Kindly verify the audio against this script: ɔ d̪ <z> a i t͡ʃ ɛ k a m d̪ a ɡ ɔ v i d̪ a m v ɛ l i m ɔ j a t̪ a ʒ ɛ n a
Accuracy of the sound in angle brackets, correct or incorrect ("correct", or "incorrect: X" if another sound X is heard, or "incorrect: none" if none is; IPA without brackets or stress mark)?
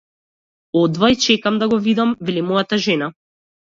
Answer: incorrect: v